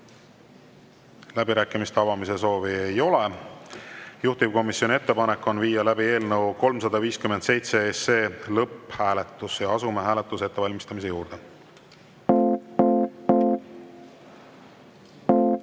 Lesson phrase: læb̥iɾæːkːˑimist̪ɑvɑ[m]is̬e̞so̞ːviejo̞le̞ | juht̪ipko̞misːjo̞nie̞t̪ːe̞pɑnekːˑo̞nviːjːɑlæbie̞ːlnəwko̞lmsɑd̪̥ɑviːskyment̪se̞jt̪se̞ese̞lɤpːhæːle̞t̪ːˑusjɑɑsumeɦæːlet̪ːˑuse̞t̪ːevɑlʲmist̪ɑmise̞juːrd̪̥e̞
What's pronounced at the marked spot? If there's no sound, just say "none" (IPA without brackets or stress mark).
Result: m